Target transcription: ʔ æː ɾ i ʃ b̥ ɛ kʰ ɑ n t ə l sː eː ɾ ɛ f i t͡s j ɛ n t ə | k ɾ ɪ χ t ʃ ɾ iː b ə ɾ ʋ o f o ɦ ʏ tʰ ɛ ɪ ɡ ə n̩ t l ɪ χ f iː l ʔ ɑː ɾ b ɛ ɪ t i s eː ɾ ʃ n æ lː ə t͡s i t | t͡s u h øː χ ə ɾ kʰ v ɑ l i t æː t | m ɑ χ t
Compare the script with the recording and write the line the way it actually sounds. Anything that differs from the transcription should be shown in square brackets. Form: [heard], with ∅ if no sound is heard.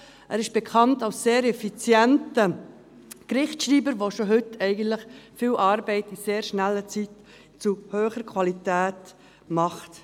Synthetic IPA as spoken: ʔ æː ɾ [ɪ] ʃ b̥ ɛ kʰ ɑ n t [ɑ] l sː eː ɾ ɛ f i t͡s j ɛ n t ə | k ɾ ɪ χ t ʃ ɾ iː b ə ɾ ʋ o [ʃ] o ɦ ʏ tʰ ɛ ɪ ɡ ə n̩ t l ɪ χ f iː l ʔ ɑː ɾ b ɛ ɪ t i s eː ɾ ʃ n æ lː ə t͡s i t | t͡s u h øː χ ə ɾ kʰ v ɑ l i t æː t | m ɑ χ t